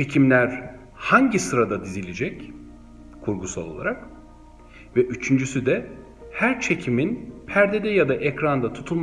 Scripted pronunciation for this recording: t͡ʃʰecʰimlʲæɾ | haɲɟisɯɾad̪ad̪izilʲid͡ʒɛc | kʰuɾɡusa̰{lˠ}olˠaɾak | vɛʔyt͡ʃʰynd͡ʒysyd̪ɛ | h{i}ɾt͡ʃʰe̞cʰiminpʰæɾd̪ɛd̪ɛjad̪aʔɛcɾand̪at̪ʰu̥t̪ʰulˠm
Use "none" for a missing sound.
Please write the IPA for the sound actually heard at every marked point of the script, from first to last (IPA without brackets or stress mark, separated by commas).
lˠ, æ